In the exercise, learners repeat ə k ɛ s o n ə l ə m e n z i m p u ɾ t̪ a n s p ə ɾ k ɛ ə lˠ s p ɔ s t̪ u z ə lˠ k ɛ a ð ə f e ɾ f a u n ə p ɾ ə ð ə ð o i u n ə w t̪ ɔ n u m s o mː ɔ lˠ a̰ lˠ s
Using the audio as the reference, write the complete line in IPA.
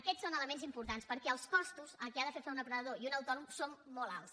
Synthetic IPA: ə k ɛ s o n ə l ə m e n z i m p u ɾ t̪ a n s p ə ɾ k ɛ ə lˠ s k ɔ s t̪ u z ə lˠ k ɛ a ð ə f e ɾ f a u n ə p ɾ ə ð ə ð o i u n ə w t̪ ɔ n u m s o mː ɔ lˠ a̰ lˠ s